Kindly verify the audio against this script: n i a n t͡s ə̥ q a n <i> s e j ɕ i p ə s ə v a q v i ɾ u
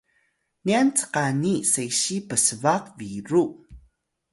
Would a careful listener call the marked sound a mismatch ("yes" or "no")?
no